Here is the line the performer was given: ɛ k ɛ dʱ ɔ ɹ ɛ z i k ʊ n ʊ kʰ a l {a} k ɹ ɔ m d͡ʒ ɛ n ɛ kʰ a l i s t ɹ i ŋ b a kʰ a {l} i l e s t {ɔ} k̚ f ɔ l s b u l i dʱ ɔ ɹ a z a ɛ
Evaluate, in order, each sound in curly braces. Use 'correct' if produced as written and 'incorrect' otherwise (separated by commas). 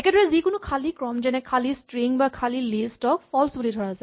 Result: incorrect, correct, correct